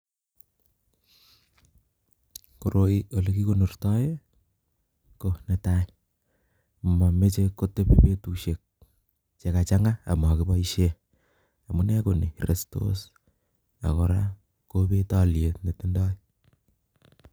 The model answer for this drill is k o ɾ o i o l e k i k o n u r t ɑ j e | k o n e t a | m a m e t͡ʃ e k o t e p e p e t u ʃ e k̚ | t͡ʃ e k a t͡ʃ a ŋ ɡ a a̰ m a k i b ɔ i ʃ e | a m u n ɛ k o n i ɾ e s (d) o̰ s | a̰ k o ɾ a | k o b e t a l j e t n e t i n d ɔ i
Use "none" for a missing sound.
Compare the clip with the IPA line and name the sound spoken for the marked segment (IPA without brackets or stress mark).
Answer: t